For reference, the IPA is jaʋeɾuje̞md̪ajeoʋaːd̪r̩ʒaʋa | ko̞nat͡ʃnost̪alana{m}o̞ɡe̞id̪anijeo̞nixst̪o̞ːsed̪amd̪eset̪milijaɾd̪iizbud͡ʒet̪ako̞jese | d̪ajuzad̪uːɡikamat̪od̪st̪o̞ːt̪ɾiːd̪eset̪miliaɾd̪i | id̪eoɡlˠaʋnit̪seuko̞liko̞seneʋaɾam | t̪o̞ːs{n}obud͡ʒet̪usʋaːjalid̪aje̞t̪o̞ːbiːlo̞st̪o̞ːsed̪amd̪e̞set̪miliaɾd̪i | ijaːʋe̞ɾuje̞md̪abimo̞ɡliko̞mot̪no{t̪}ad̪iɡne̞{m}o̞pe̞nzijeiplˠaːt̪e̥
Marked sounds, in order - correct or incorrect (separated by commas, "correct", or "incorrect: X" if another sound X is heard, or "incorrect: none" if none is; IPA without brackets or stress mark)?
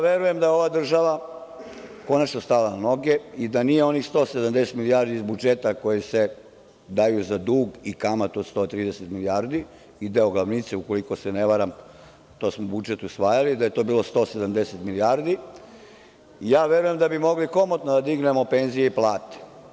incorrect: n, incorrect: m, incorrect: d̪, correct